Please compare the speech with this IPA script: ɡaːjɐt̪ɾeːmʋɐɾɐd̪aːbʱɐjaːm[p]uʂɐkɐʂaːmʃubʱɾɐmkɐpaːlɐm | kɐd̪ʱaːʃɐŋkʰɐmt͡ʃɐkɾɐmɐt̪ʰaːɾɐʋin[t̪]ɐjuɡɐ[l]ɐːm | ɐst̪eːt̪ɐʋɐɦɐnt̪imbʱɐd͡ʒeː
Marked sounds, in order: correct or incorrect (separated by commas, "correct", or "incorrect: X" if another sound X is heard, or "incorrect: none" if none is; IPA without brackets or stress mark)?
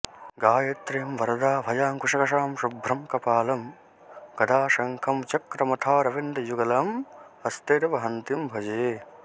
incorrect: k, incorrect: d̪, correct